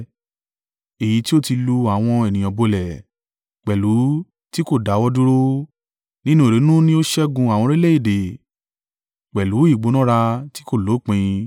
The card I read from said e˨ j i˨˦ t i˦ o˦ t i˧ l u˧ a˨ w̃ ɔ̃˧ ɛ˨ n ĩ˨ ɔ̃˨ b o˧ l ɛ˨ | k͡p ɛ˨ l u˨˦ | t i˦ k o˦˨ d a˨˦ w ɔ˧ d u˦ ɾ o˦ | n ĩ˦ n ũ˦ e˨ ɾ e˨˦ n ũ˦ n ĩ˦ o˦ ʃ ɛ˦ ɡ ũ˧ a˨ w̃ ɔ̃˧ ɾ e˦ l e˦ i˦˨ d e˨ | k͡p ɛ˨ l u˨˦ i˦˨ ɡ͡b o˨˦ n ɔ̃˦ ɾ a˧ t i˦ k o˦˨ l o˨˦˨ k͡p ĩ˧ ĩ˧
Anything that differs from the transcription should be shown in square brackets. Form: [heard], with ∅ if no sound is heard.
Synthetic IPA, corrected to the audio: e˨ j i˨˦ t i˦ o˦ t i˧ l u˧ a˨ w̃ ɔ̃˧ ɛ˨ n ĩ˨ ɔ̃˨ b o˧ l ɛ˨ | k͡p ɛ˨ l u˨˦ | t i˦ k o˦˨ d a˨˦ w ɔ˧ d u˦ ɾ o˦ | n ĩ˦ n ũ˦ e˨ ɾ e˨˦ n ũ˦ n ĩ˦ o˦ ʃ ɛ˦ ɡ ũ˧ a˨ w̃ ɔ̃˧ ɾ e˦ l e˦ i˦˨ d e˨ | k͡p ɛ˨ l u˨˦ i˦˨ ɡ͡b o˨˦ n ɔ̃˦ ɾ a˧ t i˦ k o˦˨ l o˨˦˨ k͡p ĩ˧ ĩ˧

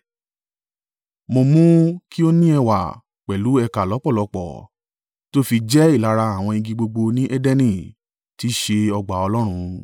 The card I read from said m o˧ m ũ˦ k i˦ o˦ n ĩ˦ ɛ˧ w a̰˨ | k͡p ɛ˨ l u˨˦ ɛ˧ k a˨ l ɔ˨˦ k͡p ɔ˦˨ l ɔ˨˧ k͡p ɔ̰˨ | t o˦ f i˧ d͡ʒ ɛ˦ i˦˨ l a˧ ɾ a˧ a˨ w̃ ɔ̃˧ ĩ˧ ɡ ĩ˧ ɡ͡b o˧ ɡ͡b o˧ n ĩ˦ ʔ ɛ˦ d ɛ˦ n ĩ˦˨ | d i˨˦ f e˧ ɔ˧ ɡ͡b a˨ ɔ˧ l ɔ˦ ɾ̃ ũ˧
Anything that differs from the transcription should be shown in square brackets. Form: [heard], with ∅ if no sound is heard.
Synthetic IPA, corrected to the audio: m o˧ m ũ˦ k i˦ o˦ n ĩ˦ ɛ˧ w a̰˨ | k͡p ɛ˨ l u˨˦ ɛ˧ k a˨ l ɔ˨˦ k͡p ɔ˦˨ l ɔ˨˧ k͡p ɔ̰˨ | t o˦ f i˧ d͡ʒ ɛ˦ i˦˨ l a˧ ɾ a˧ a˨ w̃ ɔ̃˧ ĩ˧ ɡ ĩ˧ ɡ͡b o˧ ɡ͡b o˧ n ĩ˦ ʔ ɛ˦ d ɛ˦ n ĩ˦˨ | [t] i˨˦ [ʃ] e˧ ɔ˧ ɡ͡b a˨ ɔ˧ l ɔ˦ ɾ̃ ũ˧

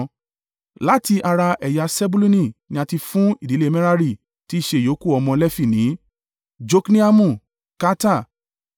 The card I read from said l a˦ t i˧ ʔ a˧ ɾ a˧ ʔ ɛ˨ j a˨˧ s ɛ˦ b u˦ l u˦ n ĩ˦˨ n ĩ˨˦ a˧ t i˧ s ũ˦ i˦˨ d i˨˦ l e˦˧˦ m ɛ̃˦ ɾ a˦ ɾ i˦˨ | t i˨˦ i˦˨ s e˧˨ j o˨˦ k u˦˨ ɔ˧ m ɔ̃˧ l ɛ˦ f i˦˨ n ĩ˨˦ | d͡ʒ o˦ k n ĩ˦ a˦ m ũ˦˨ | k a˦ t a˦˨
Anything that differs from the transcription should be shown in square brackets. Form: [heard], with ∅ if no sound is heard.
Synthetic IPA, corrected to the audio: l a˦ t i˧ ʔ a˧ ɾ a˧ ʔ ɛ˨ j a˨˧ s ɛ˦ b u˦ l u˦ n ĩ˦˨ n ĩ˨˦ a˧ t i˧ [f] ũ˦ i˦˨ d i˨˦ l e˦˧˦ m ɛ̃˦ ɾ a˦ ɾ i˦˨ | t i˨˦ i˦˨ [ʃ] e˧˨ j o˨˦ k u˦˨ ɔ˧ m ɔ̃˧ l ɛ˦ f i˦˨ n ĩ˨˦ | d͡ʒ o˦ k n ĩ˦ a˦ m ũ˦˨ | k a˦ t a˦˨

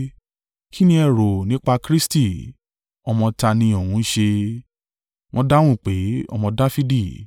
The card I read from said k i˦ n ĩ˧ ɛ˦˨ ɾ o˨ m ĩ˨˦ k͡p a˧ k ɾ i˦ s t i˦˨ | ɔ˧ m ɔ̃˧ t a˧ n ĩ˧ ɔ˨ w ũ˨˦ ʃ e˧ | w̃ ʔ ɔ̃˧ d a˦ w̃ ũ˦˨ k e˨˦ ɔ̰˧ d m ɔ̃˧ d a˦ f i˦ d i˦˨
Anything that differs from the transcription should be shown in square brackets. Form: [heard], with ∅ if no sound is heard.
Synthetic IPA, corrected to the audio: k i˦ n ĩ˧ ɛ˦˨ ɾ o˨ [n] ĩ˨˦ k͡p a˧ k ɾ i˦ s t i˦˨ | ɔ˧ m ɔ̃˧ t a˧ n ĩ˧ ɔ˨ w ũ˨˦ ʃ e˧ | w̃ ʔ ɔ̃˧ d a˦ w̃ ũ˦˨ [k͡p] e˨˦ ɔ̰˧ [∅] m ɔ̃˧ d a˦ f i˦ d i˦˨

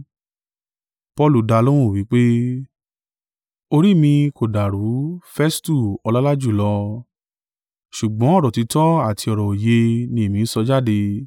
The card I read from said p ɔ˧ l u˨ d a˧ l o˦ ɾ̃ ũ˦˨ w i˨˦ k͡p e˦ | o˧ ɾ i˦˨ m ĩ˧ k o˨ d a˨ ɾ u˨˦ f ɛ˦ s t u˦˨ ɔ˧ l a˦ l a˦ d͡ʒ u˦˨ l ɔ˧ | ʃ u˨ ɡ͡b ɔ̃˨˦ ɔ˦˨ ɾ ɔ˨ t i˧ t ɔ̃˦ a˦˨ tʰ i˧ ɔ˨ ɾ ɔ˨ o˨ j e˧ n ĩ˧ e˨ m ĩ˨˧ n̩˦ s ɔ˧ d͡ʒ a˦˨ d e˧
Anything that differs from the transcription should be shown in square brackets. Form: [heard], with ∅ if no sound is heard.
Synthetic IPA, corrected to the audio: p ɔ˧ l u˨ d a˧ l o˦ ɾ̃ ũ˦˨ w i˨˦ k͡p e˦ | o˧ ɾ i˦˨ m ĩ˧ k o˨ d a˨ ɾ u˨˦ f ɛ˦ s t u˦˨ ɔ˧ l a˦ l a˦ d͡ʒ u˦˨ l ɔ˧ | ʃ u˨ ɡ͡b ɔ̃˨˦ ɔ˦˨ ɾ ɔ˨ t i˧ t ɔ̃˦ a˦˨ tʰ i˧ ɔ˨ ɾ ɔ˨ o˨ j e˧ n ĩ˧ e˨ m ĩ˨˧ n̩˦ s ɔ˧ d͡ʒ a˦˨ d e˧

